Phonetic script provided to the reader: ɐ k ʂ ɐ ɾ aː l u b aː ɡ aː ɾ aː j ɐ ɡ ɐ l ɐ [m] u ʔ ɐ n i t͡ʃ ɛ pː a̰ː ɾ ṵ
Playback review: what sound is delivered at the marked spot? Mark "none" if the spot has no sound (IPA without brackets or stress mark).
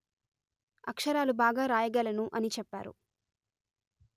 n